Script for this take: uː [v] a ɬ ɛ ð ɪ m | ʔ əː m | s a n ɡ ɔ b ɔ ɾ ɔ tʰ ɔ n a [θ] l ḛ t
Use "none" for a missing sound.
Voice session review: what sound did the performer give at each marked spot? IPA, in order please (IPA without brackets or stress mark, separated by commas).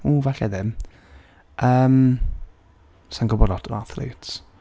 v, θ